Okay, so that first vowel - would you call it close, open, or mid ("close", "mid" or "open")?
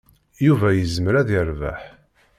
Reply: close